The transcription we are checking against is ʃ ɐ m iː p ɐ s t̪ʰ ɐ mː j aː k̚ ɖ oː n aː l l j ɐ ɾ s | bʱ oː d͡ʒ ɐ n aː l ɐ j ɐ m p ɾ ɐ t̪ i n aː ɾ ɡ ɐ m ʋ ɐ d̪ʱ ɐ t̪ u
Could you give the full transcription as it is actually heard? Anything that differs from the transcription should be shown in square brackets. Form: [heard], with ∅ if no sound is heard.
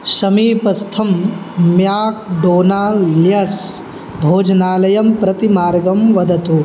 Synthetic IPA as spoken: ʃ ɐ m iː p ɐ s t̪ʰ ɐ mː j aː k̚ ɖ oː n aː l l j ɐ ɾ s | bʱ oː d͡ʒ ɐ n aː l ɐ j ɐ m p ɾ ɐ t̪ i [m] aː ɾ ɡ ɐ m ʋ ɐ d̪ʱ ɐ t̪ u